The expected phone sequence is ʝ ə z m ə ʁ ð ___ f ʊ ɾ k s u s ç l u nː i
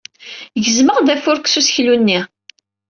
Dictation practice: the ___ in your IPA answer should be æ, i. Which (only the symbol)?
æ